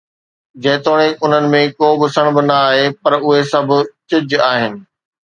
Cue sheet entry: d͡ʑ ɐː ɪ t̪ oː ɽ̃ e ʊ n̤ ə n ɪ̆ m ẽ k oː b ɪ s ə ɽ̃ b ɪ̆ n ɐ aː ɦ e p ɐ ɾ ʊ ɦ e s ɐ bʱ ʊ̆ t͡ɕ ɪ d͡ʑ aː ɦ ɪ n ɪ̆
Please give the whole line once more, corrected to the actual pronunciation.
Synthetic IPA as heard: d͡ʑ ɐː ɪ t̪ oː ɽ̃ e ʊ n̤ ə n ɪ̆ m ẽ k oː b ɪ s ə ɽ̃ b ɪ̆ n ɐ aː ɦ e p ɐ ɾ ʊ ɦ e s ɐ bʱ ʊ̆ t͡ɕ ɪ d͡ʑ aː ɦ ɪ n ɪ̆